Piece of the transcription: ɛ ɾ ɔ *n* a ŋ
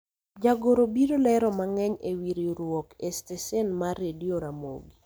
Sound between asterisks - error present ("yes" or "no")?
yes